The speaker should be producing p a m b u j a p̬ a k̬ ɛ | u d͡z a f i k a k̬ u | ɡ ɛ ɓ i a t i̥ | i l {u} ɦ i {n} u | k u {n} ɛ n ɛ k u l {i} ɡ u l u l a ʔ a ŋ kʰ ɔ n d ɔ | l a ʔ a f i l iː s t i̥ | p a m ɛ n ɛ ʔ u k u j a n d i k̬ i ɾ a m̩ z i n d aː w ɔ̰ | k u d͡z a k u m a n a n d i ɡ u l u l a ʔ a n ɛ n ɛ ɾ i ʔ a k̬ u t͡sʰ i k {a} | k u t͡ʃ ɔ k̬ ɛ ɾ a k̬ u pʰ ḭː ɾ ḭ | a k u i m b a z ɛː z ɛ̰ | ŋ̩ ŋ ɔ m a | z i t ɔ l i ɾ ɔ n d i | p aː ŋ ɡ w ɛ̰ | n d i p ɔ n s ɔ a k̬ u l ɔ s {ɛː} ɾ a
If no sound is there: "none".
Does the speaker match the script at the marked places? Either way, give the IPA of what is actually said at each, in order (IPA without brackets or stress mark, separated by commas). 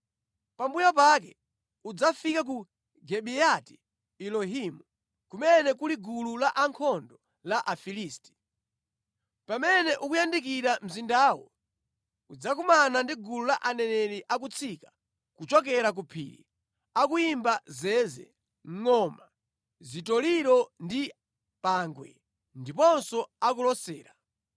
ɔ, m, m, i, a, ɛː